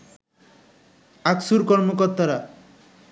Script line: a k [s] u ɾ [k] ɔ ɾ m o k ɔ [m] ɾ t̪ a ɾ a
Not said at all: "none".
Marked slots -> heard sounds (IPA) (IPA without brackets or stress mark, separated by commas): s, k, none